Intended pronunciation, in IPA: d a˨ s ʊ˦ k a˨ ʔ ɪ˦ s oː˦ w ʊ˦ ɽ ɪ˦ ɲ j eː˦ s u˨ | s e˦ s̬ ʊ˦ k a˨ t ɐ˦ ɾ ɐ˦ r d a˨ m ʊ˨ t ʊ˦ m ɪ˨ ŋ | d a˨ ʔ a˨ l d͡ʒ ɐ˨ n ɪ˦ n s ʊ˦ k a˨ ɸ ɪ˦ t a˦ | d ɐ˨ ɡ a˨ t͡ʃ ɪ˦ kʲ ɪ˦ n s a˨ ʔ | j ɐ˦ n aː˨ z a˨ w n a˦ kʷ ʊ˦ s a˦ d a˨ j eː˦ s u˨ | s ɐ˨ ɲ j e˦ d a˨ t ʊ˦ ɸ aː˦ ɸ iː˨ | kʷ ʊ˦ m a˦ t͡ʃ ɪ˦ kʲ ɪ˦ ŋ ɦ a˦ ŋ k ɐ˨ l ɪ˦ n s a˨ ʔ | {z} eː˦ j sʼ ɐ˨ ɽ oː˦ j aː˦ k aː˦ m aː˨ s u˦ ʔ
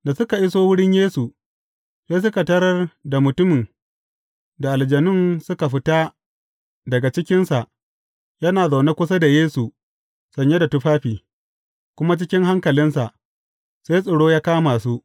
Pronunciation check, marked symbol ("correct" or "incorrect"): incorrect